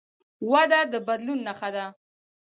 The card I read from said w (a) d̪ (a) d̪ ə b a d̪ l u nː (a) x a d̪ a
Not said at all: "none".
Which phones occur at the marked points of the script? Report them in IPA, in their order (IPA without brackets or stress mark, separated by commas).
a, a, a